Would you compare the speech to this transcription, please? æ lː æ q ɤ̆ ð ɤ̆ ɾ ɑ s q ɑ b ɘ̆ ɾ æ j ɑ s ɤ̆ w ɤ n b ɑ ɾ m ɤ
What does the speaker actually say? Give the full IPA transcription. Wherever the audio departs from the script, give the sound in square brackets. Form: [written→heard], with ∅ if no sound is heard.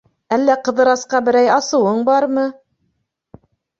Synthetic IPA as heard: æ lː æ q ɤ̆ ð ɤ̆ ɾ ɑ s q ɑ b ɘ̆ ɾ æ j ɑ s ɤ̆ w ɤ [n→ɴ] b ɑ ɾ m ɤ